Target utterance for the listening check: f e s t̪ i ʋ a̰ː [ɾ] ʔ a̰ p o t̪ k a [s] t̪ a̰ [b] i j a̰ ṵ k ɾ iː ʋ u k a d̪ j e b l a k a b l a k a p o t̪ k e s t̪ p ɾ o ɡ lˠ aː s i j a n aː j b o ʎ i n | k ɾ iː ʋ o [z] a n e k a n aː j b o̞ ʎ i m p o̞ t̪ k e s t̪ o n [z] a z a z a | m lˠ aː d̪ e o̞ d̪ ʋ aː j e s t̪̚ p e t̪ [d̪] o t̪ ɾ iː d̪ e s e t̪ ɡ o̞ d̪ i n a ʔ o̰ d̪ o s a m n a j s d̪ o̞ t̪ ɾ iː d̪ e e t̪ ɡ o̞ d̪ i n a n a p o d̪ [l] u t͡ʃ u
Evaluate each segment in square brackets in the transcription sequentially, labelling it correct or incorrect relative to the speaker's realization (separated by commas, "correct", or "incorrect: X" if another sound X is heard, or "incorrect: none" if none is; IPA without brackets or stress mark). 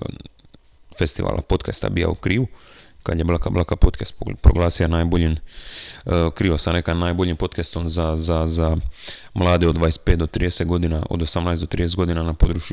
incorrect: l, correct, correct, incorrect: s, correct, correct, incorrect: ɾ